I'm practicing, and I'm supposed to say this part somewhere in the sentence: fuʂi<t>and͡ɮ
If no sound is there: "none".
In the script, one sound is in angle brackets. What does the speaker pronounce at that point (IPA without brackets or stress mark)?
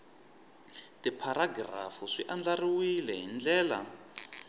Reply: ʔ